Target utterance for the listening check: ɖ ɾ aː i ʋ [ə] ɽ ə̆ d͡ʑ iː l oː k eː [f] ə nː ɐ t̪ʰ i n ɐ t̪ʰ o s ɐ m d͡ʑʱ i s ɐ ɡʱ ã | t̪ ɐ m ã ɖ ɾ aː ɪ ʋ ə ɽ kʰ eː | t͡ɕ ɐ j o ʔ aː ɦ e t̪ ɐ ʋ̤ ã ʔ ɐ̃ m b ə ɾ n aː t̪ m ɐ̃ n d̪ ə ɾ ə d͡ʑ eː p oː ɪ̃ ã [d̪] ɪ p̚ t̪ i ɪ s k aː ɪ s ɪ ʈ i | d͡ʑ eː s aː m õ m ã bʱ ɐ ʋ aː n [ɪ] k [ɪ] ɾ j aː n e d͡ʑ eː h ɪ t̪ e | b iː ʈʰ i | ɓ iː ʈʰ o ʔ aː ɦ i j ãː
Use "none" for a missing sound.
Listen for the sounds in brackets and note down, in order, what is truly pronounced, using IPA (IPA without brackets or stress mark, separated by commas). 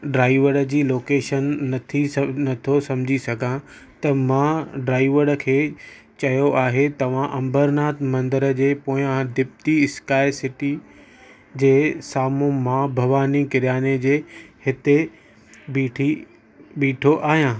ə, ʃ, d̪, i, ɪ